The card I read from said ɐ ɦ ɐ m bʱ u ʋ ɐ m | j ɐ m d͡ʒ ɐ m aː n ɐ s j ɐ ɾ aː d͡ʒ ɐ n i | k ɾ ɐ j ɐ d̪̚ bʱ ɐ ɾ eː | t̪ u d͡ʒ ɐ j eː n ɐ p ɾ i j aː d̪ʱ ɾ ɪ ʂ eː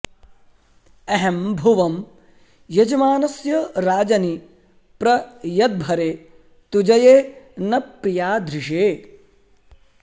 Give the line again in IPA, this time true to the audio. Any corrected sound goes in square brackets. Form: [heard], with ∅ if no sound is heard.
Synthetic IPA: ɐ ɦ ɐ m bʱ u ʋ ɐ m | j ɐ [∅] d͡ʒ ɐ m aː n ɐ s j ɐ ɾ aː d͡ʒ ɐ n i | [p] ɾ ɐ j ɐ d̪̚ bʱ ɐ ɾ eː | t̪ u d͡ʒ ɐ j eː n ɐ p ɾ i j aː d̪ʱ ɾ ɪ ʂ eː